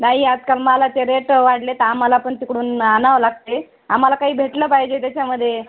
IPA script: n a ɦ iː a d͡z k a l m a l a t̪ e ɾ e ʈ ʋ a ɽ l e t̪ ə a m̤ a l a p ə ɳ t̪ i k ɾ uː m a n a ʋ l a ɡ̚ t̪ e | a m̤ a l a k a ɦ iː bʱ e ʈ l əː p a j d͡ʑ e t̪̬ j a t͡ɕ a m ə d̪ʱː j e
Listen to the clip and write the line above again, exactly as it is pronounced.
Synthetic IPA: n a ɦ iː a d͡z k a l m a l a t̪ e ɾ e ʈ ʋ a ɽ l e t̪ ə a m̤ a l a p ə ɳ t̪ i k ɽ uː n a n a ʋ l a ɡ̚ t̪ e | a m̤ a l a k a ɦ iː bʱ e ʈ l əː p a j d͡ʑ e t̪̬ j a t͡ɕ a m ə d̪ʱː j e